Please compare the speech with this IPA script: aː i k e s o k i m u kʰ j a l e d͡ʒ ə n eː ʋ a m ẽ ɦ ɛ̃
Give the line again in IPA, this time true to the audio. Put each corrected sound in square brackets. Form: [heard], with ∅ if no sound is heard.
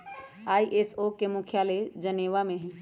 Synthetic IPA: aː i [ʔ] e s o k [e] m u kʰ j a l e d͡ʒ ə n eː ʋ a m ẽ ɦ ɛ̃